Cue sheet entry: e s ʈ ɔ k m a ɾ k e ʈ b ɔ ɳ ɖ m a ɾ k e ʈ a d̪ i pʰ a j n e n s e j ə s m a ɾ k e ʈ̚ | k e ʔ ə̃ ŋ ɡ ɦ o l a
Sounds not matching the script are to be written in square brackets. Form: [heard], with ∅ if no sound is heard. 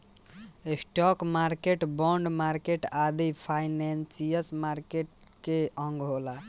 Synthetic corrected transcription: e s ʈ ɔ k m a ɾ k e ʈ b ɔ ɳ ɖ m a ɾ k e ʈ a d̪ i pʰ a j n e n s [i] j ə s m a ɾ k e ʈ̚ | k e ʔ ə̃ ŋ ɡ ɦ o l a